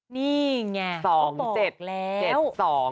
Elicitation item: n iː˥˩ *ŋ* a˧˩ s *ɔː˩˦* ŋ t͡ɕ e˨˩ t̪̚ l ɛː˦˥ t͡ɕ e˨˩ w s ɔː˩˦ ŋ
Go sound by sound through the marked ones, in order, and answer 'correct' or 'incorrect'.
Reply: correct, correct

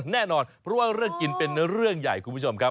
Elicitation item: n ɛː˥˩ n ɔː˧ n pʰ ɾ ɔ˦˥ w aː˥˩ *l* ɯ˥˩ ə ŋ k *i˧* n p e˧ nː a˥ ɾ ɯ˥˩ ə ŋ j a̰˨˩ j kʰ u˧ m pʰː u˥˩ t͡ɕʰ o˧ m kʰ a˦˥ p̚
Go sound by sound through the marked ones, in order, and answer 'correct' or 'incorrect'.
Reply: incorrect, correct

